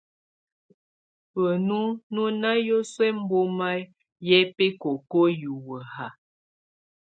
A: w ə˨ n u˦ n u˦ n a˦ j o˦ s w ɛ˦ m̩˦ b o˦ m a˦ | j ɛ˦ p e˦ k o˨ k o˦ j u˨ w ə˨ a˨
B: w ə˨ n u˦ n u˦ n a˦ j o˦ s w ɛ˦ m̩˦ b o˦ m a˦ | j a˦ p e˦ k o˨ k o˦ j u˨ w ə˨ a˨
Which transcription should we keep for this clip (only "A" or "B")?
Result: A